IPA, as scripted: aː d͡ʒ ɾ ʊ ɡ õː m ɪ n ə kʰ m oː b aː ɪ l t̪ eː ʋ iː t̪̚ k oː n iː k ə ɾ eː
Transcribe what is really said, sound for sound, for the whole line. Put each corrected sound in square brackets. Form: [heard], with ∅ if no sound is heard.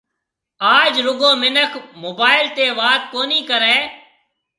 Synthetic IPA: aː d͡ʒ ɾ ʊ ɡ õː m ɪ n ə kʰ m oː b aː ɪ l t̪ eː ʋ [aː] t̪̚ k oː n iː k ə ɾ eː

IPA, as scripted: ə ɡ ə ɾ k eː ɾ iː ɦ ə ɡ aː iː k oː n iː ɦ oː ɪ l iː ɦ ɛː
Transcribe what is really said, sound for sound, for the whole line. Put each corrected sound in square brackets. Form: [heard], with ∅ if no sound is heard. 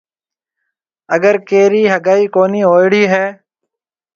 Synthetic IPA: ə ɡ ə ɾ k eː ɾ iː ɦ ə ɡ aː iː k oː n iː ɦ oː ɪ [ɽ] iː ɦ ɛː

